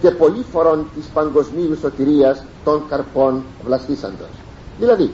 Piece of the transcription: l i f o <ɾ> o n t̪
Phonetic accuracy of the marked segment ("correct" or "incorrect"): correct